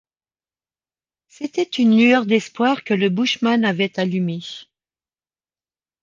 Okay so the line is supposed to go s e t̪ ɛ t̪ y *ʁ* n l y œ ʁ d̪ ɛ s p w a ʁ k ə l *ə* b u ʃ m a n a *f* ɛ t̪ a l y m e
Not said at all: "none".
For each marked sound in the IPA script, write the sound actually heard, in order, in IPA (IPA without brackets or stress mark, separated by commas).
none, ə, v